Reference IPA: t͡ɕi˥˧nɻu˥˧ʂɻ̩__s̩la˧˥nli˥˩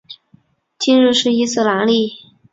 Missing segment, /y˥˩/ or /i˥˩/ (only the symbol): i˥˩